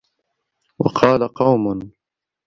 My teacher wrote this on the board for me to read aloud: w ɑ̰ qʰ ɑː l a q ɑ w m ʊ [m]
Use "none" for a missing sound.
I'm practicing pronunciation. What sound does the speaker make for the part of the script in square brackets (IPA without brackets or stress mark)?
n